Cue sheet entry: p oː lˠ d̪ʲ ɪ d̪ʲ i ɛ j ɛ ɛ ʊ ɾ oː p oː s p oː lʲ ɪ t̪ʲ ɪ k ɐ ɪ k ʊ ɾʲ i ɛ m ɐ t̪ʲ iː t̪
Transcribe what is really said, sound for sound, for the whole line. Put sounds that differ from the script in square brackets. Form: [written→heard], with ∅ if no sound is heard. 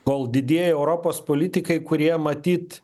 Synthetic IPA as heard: [p→k] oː lˠ d̪ʲ ɪ d̪ʲ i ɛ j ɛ ɛ ʊ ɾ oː p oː s p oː lʲ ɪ t̪ʲ ɪ k ɐ ɪ k ʊ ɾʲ i ɛ m ɐ t̪ʲ iː t̪